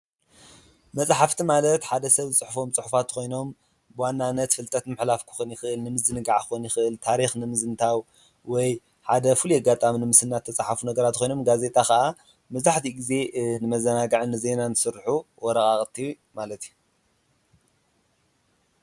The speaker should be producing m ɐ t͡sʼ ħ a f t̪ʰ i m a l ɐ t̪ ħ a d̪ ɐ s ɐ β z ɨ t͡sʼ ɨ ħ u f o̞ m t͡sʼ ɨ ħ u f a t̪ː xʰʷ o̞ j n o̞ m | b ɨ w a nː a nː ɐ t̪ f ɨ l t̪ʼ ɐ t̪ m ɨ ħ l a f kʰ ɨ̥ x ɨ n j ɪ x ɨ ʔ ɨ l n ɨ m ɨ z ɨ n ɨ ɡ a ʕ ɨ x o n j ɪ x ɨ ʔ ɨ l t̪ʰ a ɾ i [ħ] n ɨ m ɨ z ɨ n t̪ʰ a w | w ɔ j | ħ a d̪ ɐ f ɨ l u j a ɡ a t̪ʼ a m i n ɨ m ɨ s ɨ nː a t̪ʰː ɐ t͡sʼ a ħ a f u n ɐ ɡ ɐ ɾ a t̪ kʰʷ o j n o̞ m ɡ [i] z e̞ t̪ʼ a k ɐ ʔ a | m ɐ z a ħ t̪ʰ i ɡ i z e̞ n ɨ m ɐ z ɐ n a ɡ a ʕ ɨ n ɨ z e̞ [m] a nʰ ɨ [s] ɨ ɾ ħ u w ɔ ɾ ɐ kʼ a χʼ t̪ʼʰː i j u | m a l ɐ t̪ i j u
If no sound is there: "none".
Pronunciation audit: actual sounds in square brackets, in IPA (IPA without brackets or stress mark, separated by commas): x, a, n, s